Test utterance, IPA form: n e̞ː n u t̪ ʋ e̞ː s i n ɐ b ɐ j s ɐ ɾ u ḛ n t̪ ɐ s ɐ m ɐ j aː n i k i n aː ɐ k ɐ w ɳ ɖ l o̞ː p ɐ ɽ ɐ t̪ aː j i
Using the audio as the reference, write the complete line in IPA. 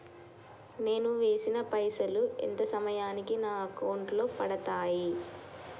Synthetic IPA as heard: n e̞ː n u ʋ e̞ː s i n ɐ p ɐ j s ɐ l u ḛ n t̪ ɐ s ɐ m ɐ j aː n i k i n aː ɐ k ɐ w ɳ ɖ l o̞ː p ɐ ɽ ɐ t̪ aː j i